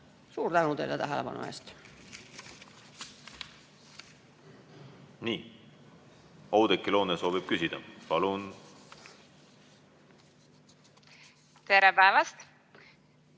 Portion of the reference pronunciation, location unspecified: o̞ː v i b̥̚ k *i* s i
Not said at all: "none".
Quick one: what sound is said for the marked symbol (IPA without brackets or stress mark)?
y